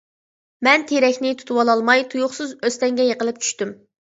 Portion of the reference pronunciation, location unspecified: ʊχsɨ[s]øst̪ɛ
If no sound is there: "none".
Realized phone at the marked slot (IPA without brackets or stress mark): z